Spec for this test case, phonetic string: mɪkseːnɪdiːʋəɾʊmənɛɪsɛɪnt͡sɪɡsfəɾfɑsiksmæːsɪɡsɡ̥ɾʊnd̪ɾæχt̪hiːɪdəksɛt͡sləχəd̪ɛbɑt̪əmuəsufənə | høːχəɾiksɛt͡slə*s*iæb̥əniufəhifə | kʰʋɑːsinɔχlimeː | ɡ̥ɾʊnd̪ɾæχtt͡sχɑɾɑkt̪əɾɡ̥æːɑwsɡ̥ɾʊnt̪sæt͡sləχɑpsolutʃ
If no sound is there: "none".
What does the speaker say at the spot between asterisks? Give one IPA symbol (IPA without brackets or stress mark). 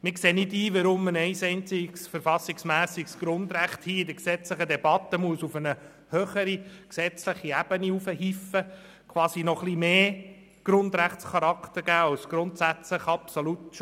χ